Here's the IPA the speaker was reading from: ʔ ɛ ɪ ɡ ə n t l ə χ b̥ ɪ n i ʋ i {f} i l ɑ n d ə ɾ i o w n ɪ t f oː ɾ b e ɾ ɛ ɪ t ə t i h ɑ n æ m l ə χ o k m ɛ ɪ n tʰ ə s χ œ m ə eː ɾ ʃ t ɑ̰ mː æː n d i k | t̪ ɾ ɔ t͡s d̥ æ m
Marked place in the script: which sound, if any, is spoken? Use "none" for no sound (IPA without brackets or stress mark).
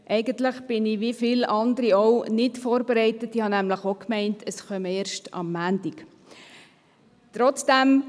f